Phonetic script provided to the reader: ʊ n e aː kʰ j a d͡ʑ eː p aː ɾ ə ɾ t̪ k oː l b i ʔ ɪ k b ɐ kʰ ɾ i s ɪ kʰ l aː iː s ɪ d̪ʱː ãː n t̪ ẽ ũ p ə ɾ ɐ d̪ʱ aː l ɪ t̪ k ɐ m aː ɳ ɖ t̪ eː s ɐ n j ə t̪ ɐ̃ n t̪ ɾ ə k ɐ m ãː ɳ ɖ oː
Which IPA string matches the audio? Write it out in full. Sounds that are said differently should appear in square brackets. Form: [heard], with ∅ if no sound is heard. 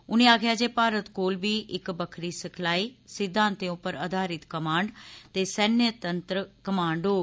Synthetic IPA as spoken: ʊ n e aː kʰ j a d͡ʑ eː p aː ɾ ə [∅] t̪ k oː l b i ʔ ɪ k b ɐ kʰ ɾ i s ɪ kʰ l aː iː s ɪ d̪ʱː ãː n t̪ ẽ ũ p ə ɾ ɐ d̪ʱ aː [ɾ] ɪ t̪ k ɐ m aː ɳ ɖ t̪ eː s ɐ n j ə t̪ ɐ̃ n t̪ ɾ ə k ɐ m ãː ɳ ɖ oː